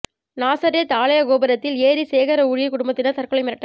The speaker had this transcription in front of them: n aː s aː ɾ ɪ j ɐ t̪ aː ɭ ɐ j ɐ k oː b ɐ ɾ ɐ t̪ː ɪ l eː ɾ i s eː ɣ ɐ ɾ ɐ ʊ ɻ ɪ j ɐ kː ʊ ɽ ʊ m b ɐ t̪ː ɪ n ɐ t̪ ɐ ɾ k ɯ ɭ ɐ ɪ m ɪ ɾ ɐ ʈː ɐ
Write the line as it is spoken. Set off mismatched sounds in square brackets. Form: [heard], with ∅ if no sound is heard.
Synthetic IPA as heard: n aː s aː ɾ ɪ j ɐ t̪ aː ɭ ɐ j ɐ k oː b ɐ ɾ ɐ t̪ː ɪ l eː ɾ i s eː ɣ ɐ ɾ ɐ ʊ ɻ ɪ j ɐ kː ʊ ɽ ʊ m b ɐ t̪ː ɪ n ɐ t̪ ɐ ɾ k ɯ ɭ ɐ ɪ m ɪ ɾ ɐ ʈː ɐ

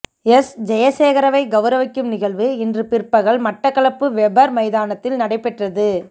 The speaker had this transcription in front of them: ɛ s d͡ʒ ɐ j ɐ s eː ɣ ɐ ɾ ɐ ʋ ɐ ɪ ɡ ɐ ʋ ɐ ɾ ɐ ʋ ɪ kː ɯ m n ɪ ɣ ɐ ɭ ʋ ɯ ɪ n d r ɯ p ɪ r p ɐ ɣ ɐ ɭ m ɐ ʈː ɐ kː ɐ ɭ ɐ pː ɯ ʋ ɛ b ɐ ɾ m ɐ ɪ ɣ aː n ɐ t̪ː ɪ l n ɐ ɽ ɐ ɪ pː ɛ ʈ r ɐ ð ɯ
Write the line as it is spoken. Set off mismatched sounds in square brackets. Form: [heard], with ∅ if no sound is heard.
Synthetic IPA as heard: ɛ s d͡ʒ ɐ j ɐ s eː ɣ ɐ ɾ ɐ ʋ ɐ ɪ ɡ ɐ ʋ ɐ ɾ ɐ ʋ ɪ kː ɯ m n ɪ ɣ ɐ ɭ ʋ ɯ ɪ n d r ɯ p ɪ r p ɐ ɣ ɐ ɭ m ɐ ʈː ɐ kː ɐ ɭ ɐ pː ɯ ʋ ɛ b ɐ ɾ m ɐ ɪ [ð] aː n ɐ t̪ː ɪ l n ɐ ɽ ɐ ɪ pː ɛ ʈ r ɐ ð ɯ

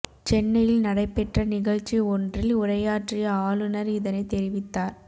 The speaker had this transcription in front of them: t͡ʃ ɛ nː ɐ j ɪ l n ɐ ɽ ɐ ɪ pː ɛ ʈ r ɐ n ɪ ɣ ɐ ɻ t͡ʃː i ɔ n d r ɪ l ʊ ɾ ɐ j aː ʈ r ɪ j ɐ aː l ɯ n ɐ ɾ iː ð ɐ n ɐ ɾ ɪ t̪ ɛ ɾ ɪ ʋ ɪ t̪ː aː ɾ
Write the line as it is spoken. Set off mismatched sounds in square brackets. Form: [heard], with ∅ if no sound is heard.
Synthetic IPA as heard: t͡ʃ ɛ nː ɐ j ɪ l n ɐ ɽ ɐ ɪ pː ɛ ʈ r ɐ n ɪ ɣ ɐ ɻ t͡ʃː i ɔ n d r ɪ l ʊ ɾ ɐ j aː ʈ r ɪ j ɐ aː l ɯ n ɐ ɾ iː ð ɐ n ɐ [∅] ɪ t̪ ɛ ɾ ɪ ʋ ɪ t̪ː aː ɾ

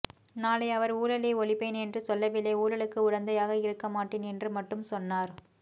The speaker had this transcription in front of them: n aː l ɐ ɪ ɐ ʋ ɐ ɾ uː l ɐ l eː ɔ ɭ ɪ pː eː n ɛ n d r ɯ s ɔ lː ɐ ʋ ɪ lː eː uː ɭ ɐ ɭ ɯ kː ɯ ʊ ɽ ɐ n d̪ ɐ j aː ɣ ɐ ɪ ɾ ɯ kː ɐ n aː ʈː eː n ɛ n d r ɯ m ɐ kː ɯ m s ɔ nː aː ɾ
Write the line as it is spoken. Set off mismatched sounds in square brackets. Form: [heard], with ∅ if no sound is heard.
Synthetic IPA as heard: n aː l ɐ ɪ ɐ ʋ ɐ ɾ uː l ɐ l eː ɔ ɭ ɪ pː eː n ɛ n d r ɯ s ɔ lː ɐ ʋ ɪ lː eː uː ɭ ɐ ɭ ɯ kː ɯ ʊ ɽ ɐ n d̪ ɐ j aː ɣ ɐ ɪ ɾ ɯ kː ɐ [m] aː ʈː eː n ɛ n d r ɯ m ɐ [ʈː] ɯ m s ɔ nː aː ɾ

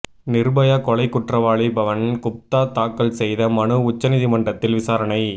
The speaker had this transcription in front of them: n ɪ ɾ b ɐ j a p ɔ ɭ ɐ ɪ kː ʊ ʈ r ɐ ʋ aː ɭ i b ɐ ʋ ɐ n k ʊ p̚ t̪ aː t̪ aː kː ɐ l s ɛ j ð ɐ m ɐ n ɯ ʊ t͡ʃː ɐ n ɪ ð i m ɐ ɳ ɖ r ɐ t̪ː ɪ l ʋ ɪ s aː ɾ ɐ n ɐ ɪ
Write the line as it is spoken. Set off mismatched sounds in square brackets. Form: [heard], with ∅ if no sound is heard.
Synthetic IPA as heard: n ɪ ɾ b ɐ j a [k] ɔ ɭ ɐ ɪ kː ʊ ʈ r ɐ ʋ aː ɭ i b ɐ ʋ ɐ n k ʊ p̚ t̪ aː t̪ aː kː ɐ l s ɛ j ð ɐ m ɐ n ɯ ʊ t͡ʃː ɐ n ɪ ð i m ɐ ɳ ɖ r ɐ t̪ː ɪ l ʋ ɪ s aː ɾ ɐ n ɐ ɪ

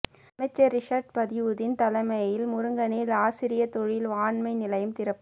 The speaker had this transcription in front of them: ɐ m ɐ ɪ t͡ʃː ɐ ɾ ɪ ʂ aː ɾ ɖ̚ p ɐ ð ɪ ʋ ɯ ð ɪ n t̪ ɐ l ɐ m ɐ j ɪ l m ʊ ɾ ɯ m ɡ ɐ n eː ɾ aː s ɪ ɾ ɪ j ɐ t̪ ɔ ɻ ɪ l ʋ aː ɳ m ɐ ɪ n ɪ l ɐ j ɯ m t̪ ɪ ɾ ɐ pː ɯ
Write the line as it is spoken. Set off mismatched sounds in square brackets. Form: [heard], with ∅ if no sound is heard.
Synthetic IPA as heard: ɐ m ɐ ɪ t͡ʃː ɐ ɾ ɪ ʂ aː ɾ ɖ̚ p ɐ ð ɪ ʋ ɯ ð ɪ n t̪ ɐ l ɐ m ɐ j ɪ l m ʊ ɾ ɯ [ŋ] ɡ ɐ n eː [l] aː s ɪ ɾ ɪ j ɐ t̪ ɔ ɻ ɪ l ʋ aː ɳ m ɐ ɪ n ɪ l ɐ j ɯ m t̪ ɪ ɾ ɐ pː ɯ

